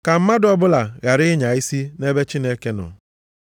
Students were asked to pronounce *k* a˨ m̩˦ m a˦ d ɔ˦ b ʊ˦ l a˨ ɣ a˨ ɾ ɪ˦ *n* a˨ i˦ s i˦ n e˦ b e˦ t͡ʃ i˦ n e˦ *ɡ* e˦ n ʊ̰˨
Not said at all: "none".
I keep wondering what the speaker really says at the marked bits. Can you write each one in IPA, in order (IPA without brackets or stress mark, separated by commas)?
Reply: k, ɲ, k